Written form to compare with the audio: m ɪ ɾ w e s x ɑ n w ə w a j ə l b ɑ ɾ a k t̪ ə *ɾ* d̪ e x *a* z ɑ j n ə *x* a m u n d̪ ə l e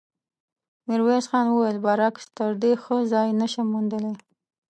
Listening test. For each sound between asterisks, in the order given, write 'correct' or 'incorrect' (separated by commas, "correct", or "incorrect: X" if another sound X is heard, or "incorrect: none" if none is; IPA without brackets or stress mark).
correct, incorrect: ə, incorrect: ʃ